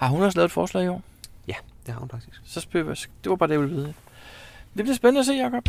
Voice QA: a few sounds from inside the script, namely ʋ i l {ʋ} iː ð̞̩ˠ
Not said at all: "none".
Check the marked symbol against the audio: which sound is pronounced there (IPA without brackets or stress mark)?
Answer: ʋ